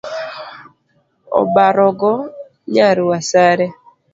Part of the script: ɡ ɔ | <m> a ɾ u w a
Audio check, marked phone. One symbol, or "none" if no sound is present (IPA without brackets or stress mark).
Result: ɲ